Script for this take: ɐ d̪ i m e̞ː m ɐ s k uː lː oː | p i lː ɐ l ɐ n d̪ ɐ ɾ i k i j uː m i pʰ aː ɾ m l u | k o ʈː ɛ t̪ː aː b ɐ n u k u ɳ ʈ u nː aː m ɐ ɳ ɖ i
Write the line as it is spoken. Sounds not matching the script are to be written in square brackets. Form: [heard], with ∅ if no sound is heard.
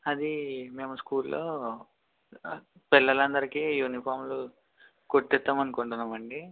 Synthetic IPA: ɐ d̪ i m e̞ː m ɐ s k uː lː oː | p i lː ɐ l ɐ n d̪ ɐ ɾ i k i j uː [n] i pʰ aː ɾ m l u | k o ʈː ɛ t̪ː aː [m] ɐ n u k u ɳ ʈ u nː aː m ɐ ɳ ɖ i